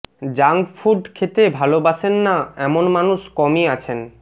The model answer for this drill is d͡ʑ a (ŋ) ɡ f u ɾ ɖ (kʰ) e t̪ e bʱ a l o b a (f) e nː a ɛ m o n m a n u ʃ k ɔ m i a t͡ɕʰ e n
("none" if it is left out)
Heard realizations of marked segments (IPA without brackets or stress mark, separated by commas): ŋ, kʰ, ʃ